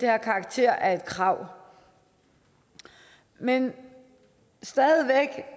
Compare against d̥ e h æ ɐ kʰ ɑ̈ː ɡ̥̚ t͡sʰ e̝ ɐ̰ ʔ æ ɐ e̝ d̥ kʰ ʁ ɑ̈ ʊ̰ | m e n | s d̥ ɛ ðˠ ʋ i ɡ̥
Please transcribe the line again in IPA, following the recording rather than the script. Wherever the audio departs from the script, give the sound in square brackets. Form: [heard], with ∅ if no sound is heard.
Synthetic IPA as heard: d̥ e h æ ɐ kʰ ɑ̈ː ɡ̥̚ t͡sʰ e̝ ɐ̰ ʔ æ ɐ e̝ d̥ kʰ ʁ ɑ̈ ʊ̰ | m e n | s d̥ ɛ ðˠ ʋ [e] ɡ̥

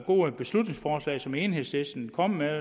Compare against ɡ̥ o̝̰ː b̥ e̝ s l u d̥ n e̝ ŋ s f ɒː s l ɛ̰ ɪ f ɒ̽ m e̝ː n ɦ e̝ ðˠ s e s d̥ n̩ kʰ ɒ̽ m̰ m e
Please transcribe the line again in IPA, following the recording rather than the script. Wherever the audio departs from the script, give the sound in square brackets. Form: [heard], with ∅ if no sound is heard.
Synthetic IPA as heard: ɡ̥ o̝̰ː b̥ e̝ s l u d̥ n e̝ ŋ s f ɒː s l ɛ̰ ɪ [s] ɒ̽ m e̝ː n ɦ e̝ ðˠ s e s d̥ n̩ kʰ ɒ̽ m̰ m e

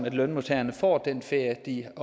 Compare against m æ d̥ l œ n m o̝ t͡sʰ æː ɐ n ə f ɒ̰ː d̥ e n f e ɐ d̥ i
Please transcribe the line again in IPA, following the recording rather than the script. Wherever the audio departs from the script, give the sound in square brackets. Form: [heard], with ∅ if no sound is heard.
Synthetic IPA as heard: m æ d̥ l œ n m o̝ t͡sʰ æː ɐ n ə f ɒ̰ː d̥ e n f e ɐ d̥ i

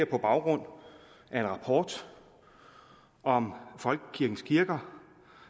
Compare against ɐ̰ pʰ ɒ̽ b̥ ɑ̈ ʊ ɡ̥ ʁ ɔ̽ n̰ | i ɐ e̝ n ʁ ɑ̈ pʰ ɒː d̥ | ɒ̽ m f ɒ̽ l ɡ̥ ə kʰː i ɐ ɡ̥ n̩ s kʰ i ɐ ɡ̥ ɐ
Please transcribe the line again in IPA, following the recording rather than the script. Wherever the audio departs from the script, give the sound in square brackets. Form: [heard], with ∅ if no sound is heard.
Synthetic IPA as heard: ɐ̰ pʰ ɒ̽ b̥ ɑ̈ ʊ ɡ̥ ʁ ɔ̽ n̰ | [æ] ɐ e̝ n ʁ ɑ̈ pʰ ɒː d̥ | ɒ̽ m f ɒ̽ l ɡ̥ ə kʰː i ɐ ɡ̥ n̩ s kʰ i ɐ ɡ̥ ɐ

